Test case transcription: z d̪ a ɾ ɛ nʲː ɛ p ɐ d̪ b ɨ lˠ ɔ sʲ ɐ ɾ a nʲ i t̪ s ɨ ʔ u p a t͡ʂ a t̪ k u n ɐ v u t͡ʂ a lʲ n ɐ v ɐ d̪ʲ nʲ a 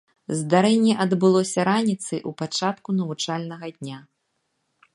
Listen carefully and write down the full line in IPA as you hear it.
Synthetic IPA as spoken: z d̪ a ɾ ɛ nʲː ɛ ʔ ɐ d̪ b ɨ lˠ ɔ sʲ ɐ ɾ a nʲ i t̪ s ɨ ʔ u p a t͡ʂ a t̪ k u n ɐ v u t͡ʂ a lʲ n ɐ ɣ ɐ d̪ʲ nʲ a